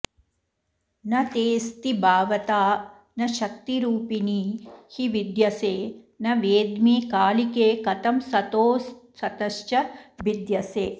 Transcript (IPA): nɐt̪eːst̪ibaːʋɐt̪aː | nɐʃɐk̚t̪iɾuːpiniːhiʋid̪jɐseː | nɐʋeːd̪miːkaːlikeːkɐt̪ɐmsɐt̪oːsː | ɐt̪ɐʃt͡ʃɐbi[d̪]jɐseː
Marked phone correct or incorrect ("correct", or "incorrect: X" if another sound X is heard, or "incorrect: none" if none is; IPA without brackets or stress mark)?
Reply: correct